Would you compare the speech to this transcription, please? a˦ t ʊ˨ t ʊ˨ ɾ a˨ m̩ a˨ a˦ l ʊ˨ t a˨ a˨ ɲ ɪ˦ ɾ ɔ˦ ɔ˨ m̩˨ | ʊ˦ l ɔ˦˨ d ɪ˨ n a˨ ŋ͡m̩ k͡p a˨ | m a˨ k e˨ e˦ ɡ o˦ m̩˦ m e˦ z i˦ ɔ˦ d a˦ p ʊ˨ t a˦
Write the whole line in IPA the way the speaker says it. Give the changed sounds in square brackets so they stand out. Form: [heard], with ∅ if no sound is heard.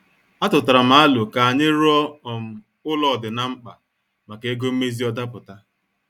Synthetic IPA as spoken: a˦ t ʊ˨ t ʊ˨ ɾ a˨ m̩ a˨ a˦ l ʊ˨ [k] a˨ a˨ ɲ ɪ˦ ɾ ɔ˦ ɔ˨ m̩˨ | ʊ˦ l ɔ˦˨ d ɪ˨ n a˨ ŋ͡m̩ k͡p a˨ | m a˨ k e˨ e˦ ɡ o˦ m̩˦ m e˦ z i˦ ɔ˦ d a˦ p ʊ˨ t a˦